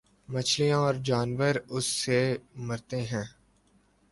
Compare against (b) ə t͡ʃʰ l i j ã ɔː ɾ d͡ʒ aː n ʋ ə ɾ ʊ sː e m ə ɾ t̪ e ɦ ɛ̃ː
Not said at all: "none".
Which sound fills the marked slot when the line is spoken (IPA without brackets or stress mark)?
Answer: m